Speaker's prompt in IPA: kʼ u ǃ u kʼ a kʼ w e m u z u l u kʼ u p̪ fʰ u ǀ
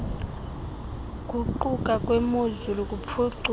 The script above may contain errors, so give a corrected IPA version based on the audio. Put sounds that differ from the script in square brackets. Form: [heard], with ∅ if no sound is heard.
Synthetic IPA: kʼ u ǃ u kʼ a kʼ w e m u z u l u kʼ u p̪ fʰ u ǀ